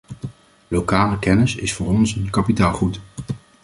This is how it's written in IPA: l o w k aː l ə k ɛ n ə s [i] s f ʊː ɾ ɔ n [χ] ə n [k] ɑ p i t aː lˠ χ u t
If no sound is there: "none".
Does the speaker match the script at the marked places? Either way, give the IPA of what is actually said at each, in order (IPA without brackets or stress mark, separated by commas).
ɪ, s, k